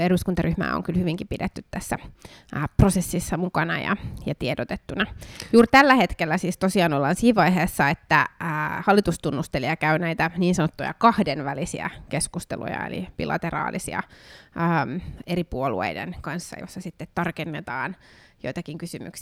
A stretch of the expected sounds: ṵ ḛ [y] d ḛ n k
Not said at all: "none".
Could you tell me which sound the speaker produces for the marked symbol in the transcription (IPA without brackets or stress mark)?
i